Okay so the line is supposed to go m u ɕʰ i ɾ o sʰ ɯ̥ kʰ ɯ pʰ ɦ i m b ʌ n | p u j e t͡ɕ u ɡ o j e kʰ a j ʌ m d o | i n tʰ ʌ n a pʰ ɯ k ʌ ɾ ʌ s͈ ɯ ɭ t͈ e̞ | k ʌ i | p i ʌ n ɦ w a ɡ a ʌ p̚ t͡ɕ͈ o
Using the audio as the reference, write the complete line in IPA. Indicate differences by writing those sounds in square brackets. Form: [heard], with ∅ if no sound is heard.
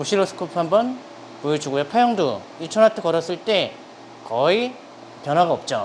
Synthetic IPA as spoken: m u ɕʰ i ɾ o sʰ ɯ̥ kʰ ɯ pʰ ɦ [a] m b ʌ n | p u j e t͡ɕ u ɡ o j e [pʰ] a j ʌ [ŋ] d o | i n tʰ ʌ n a [tʰ] ɯ k ʌ ɾ ʌ s͈ ɯ ɭ t͈ e̞ | k ʌ i | p [j] ʌ n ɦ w a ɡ a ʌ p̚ t͡ɕ͈ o